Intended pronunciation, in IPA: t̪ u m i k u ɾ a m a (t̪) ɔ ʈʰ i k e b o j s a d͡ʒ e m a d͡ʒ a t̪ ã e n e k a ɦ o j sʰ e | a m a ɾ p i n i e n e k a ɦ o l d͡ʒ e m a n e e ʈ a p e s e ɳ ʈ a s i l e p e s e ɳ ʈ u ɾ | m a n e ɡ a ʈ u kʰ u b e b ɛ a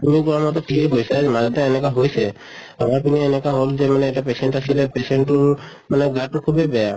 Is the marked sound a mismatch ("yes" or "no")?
no